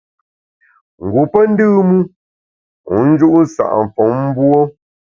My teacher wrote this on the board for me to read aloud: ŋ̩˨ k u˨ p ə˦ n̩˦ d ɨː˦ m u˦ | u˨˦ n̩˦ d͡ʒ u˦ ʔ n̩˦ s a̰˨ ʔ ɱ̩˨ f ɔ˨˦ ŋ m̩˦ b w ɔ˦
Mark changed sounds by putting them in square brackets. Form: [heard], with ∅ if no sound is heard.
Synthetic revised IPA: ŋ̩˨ [ɡ] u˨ p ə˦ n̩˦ d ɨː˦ m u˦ | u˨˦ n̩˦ d͡ʒ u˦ ʔ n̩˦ s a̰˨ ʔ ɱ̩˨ f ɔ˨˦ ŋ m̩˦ b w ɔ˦